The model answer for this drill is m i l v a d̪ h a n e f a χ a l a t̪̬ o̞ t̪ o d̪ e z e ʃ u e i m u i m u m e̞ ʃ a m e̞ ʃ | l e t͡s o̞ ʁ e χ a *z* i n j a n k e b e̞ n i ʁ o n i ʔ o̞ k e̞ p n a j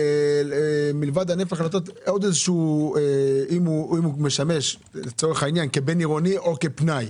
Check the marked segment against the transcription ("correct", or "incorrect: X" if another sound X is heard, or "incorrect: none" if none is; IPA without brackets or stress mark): incorrect: none